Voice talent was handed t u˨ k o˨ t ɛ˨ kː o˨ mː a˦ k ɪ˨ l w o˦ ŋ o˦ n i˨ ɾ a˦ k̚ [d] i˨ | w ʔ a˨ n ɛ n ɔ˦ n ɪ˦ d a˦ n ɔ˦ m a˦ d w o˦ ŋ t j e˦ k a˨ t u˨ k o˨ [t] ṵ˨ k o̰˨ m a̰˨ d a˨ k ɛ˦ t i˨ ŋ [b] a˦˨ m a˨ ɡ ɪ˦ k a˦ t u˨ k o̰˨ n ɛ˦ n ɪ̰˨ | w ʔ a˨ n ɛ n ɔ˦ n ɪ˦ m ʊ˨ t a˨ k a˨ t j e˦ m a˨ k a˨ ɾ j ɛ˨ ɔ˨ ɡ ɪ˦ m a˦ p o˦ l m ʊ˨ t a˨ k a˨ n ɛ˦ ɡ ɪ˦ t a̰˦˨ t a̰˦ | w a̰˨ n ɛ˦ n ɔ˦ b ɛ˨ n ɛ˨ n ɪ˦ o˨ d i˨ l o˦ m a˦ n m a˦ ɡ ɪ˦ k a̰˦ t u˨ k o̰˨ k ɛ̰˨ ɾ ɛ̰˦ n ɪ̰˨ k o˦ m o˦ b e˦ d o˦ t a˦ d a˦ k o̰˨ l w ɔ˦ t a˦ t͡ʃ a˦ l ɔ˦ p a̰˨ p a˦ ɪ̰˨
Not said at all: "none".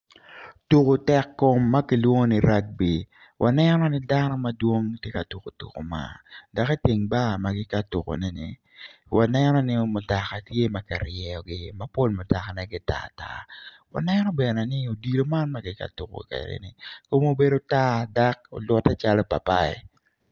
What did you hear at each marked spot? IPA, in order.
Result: b, t, b

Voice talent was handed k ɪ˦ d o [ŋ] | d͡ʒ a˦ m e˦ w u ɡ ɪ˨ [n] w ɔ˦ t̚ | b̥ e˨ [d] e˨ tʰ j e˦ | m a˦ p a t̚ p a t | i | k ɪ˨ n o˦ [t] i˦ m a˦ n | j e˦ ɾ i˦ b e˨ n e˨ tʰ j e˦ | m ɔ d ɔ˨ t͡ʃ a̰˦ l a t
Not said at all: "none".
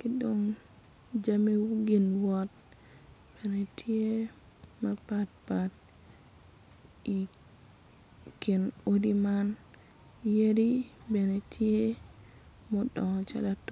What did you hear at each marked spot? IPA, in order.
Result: ŋ, n, n, d

